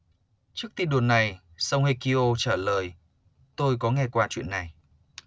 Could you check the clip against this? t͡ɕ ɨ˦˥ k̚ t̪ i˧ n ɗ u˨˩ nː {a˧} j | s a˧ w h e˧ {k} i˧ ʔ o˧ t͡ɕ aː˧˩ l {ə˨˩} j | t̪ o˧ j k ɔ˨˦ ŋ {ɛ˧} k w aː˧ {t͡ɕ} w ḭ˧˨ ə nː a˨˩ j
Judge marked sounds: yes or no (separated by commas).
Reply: no, yes, no, yes, yes